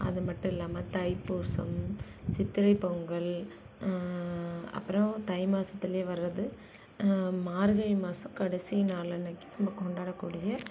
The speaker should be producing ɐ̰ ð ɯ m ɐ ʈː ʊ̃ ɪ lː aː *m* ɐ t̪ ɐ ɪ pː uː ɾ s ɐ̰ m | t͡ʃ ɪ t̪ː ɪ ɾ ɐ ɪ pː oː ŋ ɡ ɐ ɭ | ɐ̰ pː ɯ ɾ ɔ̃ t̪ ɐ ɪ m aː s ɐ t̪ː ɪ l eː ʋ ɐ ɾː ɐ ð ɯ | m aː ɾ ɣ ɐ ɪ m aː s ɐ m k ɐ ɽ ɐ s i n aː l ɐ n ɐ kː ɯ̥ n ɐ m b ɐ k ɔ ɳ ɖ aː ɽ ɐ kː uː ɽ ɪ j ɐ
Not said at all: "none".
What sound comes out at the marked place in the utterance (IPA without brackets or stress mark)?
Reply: m